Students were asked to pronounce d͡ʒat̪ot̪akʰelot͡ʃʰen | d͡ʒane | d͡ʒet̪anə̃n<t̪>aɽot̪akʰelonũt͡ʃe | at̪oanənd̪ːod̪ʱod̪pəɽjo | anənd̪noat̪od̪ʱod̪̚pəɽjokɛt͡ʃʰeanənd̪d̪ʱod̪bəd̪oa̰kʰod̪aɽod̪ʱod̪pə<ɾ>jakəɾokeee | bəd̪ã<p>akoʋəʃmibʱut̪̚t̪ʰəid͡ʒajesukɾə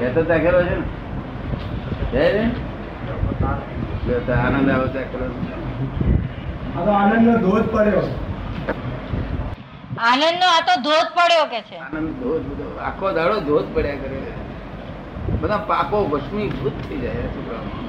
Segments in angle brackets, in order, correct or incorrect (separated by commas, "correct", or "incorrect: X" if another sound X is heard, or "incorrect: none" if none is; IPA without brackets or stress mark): incorrect: d̪, incorrect: ɽ, correct